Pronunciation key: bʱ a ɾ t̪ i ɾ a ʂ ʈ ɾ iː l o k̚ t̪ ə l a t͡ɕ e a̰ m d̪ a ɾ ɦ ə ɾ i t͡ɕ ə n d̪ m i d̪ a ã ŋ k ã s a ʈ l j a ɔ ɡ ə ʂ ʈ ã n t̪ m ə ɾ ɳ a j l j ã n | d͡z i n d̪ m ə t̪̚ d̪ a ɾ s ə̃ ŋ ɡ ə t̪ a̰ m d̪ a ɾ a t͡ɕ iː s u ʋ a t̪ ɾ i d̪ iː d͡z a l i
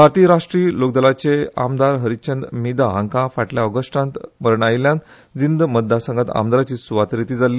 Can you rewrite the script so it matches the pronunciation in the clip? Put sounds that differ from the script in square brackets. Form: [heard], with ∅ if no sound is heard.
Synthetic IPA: bʱ a ɾ t̪ i ɾ a ʂ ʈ ɾ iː l o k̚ [d̪] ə l a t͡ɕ e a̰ m d̪ a ɾ ɦ ə ɾ i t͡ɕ ə n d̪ m i d̪ a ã ŋ k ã [f] a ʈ l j a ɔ ɡ ə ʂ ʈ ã n t̪ m ə ɾ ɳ a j l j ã n | d͡z i n d̪ m ə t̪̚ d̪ a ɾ s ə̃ ŋ ɡ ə t̪ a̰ m d̪ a ɾ a t͡ɕ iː s u ʋ a t̪ ɾ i [t̪] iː d͡z a l i